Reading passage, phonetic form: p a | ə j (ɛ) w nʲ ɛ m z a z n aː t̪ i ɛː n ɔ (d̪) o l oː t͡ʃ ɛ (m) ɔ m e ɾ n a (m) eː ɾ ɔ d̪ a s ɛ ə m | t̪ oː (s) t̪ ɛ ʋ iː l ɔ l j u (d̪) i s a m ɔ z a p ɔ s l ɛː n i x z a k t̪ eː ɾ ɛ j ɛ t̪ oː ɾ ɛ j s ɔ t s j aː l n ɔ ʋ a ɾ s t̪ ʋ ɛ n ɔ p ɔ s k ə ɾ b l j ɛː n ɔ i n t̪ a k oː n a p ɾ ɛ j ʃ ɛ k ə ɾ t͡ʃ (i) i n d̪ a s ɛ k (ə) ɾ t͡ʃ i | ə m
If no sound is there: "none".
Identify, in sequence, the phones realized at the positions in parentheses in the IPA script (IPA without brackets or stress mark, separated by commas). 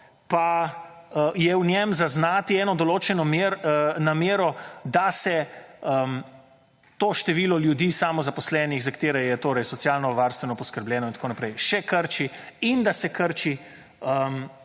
ɛ, d̪, n, m, ʃ, d̪, i, ə